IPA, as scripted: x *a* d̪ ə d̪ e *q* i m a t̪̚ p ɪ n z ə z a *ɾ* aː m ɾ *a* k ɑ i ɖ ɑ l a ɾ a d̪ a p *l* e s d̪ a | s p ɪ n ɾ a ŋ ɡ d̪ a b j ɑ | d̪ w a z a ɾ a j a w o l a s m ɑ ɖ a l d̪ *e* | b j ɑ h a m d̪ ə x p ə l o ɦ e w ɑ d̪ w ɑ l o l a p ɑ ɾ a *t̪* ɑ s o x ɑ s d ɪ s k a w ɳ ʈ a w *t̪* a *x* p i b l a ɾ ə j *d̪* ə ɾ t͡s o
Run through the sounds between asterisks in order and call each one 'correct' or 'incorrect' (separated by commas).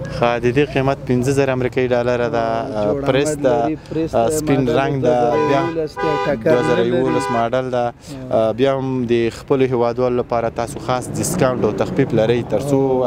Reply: correct, correct, correct, incorrect, incorrect, incorrect, correct, correct, correct, incorrect